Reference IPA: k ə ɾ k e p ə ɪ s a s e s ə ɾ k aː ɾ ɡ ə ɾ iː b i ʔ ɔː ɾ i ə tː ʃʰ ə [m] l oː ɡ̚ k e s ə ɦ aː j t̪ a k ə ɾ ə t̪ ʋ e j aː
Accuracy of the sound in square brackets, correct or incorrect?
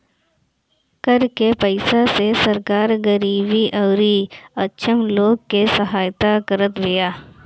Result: correct